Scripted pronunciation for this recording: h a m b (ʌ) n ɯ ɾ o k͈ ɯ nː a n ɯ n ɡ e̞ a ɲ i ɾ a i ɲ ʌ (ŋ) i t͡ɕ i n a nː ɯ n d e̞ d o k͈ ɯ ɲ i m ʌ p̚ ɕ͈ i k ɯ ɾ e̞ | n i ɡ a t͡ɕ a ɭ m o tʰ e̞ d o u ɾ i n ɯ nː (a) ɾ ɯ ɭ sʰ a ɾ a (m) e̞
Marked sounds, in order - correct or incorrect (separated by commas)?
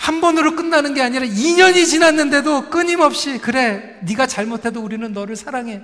correct, incorrect, incorrect, incorrect